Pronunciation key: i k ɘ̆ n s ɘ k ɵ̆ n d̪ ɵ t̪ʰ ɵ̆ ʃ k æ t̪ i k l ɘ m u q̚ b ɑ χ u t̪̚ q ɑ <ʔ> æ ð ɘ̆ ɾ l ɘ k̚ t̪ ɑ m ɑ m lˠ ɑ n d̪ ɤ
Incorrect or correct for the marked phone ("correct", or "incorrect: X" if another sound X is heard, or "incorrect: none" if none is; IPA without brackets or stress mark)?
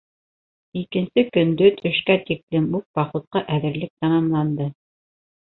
correct